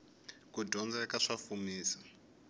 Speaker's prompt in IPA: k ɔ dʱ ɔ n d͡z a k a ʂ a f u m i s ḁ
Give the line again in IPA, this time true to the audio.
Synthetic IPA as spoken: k u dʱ ɔ n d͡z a k a ʂ a f u m iː s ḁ